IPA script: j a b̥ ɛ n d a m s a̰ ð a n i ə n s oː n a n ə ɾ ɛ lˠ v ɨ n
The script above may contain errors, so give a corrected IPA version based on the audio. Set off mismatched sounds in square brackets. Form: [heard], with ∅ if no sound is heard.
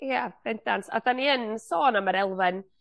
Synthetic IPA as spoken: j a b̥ ɛ n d a [n] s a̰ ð a n i ə n s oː n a [m] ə ɾ ɛ lˠ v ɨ n